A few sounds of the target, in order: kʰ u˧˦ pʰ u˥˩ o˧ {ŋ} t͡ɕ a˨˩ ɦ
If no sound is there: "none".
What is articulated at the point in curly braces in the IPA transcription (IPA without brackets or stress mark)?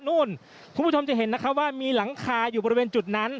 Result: m